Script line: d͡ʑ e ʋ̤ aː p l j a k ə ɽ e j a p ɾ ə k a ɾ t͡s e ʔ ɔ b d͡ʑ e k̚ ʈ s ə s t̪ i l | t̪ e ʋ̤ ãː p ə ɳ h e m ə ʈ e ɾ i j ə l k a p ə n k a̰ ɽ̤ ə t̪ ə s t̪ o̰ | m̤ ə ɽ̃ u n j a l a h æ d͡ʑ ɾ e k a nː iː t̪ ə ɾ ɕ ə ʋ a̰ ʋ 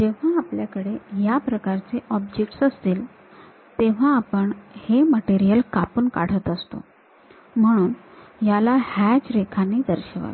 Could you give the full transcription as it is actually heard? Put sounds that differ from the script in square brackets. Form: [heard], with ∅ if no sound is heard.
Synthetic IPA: d͡ʑ e ʋ̤ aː p l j a k ə ɽ e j a p ɾ ə k a ɾ t͡s e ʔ ɔ b d͡ʑ e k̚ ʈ s ə s t̪ [iː] l | t̪ e ʋ̤ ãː p ə ɳ h e m ə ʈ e ɾ i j ə l k a p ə n k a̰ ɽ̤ ə t̪ ə s t̪ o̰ | m̤ ə ɽ̃ [uː] n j a l a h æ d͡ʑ ɾ e [kʰ] a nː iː [d̪] ə ɾ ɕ ə ʋ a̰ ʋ